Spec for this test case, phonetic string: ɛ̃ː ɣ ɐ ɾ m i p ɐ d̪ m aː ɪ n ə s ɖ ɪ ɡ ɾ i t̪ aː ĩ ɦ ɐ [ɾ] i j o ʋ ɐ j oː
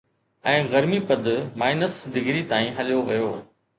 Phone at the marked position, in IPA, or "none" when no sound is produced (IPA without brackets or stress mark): l